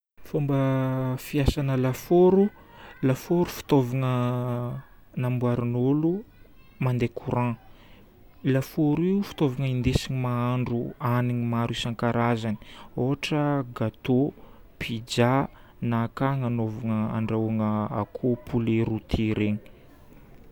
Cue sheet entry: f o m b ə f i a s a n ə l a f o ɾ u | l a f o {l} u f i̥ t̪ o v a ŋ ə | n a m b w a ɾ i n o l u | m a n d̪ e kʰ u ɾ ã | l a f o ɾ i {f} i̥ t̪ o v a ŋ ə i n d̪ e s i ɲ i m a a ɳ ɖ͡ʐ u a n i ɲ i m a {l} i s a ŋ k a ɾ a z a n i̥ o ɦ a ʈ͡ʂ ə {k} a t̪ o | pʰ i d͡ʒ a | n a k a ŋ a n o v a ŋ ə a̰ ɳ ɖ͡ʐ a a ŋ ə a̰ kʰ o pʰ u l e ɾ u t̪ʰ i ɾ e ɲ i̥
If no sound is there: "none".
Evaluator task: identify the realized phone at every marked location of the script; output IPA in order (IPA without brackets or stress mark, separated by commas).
ɾ, f, ɾ, ɡ